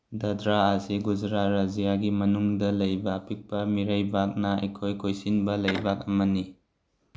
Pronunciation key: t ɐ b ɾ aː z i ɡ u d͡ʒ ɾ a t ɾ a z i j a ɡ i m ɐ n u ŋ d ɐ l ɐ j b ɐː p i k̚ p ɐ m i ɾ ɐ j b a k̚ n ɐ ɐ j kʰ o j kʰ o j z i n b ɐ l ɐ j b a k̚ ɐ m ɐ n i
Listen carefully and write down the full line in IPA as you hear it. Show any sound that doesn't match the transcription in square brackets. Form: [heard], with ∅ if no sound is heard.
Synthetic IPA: [d] ɐ [d] ɾ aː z i ɡ u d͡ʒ ɾ a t ɾ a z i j a ɡ i m ɐ n u ŋ d ɐ l ɐ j b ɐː p i k̚ p ɐ m i ɾ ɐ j b a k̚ n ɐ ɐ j kʰ o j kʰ o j [s] i n b ɐ l ɐ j b a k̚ ɐ m ɐ n i